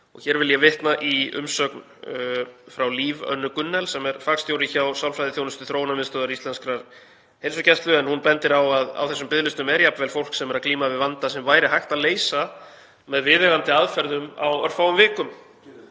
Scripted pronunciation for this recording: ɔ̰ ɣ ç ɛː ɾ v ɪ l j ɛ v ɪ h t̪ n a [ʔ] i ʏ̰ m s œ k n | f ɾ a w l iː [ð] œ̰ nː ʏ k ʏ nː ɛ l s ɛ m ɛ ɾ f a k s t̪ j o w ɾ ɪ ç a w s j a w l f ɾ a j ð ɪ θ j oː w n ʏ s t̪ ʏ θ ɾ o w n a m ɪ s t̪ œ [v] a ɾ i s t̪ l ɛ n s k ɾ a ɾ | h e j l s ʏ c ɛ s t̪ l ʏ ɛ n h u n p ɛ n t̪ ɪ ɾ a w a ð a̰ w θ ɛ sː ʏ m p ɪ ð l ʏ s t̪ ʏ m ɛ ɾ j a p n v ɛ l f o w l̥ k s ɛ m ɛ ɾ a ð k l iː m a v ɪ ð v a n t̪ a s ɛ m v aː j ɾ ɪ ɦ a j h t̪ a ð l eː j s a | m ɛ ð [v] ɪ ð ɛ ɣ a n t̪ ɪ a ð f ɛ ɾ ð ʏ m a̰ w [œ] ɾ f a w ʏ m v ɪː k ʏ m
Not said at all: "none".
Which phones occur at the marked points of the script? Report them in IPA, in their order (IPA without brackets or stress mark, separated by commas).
ʔ, v, ð, v, œ